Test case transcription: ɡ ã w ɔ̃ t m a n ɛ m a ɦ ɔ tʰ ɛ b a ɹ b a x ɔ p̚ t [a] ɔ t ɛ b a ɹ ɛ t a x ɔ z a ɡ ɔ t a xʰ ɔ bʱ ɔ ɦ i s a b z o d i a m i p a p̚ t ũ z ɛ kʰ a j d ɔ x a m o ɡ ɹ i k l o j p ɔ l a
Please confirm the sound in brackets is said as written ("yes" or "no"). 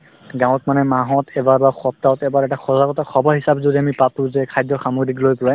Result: yes